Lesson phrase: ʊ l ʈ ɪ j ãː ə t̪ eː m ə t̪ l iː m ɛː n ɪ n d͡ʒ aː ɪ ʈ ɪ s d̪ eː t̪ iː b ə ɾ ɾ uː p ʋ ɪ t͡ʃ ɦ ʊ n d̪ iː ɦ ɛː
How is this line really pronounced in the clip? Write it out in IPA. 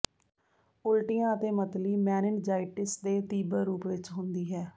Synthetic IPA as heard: ʊ l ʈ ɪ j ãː ə t̪ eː m ə t̪ l iː m ɛː n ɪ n d͡ʒ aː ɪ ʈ ɪ s d̪ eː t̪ iː b ə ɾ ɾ uː p ʋ ɪ t͡ʃ ɦ ʊ n d̪ iː ɦ ɛː